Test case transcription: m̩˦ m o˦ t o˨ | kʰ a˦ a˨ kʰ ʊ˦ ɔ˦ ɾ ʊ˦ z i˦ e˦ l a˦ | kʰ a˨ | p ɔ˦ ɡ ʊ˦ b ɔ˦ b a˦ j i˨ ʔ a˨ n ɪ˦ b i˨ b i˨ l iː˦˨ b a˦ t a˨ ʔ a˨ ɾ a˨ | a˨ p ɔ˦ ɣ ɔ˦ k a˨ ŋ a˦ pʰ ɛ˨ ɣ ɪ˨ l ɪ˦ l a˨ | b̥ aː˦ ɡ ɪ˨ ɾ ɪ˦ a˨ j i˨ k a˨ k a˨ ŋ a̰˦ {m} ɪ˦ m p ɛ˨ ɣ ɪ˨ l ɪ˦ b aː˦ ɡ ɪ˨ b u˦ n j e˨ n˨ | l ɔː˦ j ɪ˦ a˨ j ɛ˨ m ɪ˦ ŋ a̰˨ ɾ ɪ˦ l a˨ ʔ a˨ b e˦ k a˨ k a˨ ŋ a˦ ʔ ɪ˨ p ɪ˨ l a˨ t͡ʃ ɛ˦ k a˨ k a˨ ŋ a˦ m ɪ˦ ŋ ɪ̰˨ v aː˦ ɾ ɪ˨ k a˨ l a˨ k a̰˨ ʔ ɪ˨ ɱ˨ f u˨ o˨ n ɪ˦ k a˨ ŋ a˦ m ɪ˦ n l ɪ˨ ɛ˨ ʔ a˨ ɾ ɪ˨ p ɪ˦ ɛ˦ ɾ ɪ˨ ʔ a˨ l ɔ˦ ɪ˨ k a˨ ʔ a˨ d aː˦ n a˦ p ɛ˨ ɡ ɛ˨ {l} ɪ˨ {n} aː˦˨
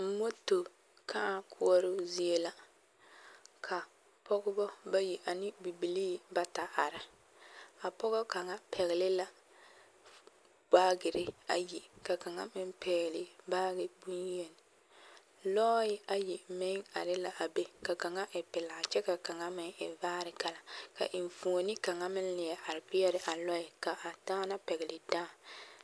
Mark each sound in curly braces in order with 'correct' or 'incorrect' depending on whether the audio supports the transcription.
correct, correct, incorrect

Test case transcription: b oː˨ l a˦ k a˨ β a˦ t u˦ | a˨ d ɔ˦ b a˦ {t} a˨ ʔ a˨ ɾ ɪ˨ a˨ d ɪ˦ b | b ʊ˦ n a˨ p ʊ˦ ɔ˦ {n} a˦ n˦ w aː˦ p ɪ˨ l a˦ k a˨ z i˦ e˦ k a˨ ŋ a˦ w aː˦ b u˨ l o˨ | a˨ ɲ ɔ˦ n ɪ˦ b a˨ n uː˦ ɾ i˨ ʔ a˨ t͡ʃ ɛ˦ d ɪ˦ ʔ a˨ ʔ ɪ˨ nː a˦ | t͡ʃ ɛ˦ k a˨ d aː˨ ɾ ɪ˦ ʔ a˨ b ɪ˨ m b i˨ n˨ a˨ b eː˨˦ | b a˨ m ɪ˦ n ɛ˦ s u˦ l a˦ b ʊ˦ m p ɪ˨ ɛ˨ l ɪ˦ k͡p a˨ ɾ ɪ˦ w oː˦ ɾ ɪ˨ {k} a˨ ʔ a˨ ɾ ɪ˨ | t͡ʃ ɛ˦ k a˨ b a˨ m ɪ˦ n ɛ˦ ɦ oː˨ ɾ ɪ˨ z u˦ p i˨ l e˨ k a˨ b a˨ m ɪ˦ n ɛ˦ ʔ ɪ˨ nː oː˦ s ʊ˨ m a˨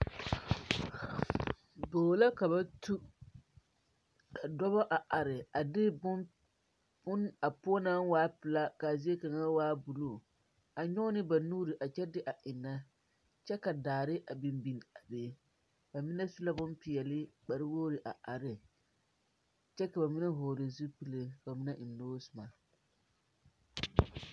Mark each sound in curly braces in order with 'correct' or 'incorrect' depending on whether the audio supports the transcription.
incorrect, correct, incorrect

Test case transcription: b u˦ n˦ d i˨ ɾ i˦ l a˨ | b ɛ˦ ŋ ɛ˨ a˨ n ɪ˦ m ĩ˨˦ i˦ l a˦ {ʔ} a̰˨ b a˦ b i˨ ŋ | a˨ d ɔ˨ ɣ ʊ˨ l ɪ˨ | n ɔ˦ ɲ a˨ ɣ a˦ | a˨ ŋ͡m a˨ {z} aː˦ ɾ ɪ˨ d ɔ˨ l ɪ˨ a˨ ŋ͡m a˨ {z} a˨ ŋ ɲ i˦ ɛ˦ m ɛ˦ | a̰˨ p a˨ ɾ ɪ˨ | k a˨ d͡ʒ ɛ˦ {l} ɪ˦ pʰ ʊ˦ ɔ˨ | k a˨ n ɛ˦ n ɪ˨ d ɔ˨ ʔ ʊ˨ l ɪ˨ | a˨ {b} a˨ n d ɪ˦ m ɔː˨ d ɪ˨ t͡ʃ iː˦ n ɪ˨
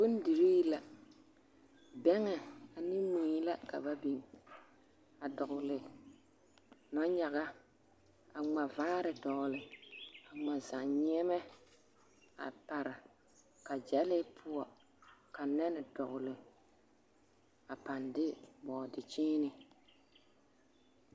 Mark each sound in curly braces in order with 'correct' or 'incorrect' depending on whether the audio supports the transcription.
incorrect, incorrect, correct, correct, incorrect

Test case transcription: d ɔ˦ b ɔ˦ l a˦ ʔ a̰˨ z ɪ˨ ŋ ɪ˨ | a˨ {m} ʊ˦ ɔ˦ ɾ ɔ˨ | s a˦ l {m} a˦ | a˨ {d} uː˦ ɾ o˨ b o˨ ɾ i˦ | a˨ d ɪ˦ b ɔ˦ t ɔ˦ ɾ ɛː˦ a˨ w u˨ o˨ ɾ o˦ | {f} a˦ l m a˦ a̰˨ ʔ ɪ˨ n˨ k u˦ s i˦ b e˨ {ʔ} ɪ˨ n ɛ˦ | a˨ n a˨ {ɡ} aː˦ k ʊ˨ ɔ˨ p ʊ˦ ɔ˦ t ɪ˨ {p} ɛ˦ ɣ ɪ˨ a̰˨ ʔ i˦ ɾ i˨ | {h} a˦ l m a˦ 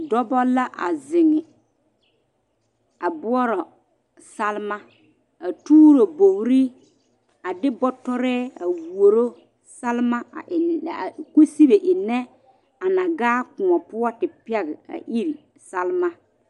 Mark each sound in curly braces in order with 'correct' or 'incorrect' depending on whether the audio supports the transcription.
incorrect, correct, incorrect, incorrect, correct, correct, correct, incorrect

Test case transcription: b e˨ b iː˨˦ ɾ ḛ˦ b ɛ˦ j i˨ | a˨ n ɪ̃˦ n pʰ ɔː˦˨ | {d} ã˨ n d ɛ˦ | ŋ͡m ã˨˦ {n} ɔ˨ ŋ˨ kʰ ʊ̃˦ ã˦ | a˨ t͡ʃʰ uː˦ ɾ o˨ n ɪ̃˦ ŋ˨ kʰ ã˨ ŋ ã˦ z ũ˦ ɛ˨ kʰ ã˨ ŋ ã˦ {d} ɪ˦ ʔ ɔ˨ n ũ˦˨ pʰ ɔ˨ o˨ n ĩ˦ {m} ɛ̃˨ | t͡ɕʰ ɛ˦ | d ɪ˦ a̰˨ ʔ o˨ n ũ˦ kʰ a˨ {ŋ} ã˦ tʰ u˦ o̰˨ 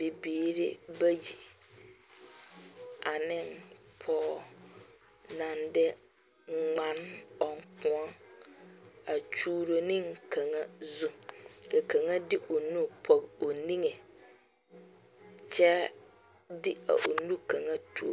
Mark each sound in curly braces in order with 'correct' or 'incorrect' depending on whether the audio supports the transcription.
incorrect, correct, correct, incorrect, correct

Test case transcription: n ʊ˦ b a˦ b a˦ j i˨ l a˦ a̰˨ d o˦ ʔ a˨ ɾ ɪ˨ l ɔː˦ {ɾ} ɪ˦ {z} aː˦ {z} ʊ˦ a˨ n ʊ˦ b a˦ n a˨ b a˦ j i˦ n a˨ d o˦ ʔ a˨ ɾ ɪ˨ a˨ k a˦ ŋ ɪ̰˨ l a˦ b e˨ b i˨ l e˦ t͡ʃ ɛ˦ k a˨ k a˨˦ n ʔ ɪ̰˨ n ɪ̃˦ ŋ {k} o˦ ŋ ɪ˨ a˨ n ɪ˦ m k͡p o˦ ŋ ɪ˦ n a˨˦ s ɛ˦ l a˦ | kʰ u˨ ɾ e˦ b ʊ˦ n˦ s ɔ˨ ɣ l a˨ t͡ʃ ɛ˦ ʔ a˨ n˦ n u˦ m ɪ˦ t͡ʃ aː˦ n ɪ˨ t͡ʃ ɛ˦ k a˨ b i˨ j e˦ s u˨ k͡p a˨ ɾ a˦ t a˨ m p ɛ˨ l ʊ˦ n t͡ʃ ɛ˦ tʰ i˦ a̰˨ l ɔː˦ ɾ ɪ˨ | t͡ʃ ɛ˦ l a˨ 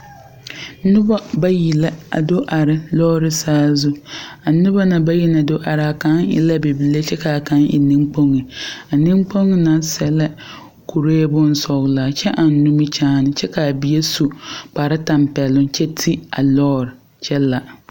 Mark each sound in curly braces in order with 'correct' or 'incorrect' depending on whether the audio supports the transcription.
correct, incorrect, correct, incorrect

